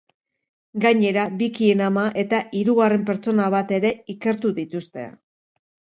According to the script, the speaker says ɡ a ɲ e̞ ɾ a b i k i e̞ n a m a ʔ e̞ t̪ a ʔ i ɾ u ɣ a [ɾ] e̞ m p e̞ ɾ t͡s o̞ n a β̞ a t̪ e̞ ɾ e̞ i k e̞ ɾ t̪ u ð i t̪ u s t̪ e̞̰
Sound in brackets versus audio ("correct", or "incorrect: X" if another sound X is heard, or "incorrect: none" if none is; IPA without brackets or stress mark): incorrect: r